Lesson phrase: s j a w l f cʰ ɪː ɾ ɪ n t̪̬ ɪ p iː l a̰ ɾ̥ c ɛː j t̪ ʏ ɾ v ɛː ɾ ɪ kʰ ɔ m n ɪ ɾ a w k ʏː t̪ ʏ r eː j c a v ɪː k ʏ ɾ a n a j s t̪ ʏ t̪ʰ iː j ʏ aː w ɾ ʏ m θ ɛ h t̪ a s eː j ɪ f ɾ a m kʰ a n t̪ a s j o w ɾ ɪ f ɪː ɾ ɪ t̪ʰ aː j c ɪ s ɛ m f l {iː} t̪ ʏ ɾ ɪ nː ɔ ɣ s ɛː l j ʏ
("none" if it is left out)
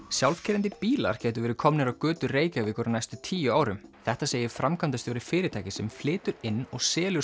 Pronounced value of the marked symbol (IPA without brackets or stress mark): ɪː